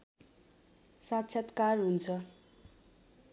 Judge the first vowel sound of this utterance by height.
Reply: low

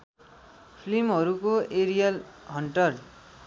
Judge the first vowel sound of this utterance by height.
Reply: high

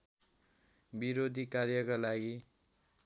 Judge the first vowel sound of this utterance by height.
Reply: high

